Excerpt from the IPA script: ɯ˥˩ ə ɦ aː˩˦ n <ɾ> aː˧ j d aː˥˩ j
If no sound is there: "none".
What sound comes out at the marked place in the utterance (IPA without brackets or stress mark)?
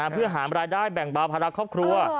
ɾ